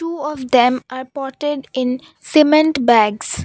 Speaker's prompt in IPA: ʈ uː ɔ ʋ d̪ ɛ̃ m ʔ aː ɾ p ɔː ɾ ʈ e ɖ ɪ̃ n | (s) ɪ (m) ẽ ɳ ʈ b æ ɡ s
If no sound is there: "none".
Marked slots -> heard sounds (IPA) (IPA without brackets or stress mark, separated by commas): s, m